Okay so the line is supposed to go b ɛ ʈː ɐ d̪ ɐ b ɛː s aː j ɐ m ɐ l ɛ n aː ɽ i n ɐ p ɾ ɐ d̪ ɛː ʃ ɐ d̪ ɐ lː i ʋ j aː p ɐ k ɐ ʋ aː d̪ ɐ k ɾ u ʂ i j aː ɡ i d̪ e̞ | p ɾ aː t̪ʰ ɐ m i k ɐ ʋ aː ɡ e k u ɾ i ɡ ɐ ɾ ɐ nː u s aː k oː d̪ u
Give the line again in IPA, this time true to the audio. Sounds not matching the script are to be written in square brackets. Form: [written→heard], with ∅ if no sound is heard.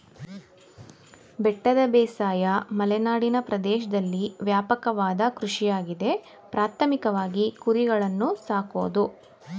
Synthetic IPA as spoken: b ɛ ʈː ɐ d̪ ɐ b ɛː s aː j ɐ m ɐ l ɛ n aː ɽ i n ɐ p ɾ ɐ d̪ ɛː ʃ ɐ d̪ ɐ lː i ʋ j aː p ɐ k ɐ ʋ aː d̪ ɐ k ɾ u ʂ i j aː ɡ i d̪ e̞ | p ɾ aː t̪ʰ ɐ m i k ɐ ʋ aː ɡ [e→i] k u ɾ i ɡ ɐ [ɾ→ɭ] ɐ nː u s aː k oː d̪ u